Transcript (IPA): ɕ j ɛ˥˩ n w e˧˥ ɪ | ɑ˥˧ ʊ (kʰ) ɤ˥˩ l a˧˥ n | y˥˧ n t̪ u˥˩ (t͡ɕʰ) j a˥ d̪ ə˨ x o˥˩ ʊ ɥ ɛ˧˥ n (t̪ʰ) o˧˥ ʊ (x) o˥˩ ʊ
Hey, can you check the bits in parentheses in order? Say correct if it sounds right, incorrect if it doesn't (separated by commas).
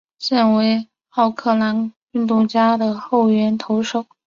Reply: correct, incorrect, correct, incorrect